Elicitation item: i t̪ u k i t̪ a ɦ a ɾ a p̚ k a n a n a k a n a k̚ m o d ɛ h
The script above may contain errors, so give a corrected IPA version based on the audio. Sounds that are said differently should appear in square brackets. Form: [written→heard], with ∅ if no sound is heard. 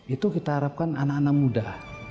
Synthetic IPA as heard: i t̪ u k i t̪ a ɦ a ɾ a p̚ k a n a n a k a n a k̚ m [o→u] d [ɛ→a] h